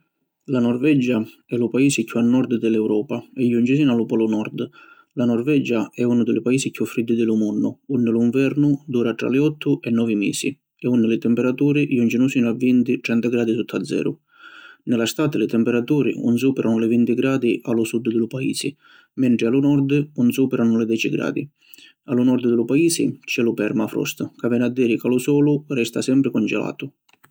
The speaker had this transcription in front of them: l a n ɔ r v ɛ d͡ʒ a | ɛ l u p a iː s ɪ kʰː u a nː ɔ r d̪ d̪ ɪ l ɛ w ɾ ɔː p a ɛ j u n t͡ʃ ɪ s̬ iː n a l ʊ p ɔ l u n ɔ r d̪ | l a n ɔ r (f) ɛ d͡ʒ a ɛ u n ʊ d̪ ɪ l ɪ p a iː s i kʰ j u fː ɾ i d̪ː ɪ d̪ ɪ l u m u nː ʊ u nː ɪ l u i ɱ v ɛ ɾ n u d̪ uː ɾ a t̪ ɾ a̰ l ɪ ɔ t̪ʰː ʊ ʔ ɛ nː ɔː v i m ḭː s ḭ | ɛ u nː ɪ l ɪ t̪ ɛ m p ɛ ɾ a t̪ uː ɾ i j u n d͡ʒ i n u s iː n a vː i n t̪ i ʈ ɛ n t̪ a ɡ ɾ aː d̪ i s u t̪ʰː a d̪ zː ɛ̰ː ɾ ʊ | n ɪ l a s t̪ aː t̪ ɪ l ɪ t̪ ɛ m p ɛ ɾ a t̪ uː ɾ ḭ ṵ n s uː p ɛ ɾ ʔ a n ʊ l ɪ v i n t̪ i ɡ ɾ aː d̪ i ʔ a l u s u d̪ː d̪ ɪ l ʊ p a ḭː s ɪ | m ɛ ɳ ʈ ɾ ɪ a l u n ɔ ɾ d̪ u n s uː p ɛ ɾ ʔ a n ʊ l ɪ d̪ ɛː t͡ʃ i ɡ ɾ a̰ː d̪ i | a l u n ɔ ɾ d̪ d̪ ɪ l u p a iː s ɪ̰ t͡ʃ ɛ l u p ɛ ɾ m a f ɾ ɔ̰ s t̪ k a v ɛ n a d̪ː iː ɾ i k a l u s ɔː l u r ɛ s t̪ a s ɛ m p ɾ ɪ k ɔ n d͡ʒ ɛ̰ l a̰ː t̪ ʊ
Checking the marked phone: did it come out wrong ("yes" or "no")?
yes